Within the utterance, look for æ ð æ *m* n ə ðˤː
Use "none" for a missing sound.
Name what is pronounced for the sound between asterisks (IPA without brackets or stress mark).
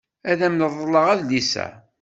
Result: m